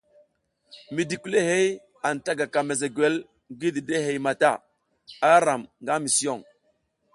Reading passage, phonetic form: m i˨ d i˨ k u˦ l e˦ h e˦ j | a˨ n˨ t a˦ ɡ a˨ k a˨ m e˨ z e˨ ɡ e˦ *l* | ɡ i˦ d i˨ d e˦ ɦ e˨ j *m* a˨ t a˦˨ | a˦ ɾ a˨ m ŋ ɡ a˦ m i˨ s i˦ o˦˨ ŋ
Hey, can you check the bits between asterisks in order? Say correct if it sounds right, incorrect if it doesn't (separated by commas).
correct, correct